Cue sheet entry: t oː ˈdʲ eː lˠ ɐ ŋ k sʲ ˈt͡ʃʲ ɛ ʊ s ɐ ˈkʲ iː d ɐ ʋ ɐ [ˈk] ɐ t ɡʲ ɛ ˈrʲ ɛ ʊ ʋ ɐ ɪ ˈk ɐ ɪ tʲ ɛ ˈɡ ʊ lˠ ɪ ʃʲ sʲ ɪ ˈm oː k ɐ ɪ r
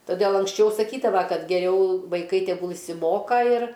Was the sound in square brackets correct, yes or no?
yes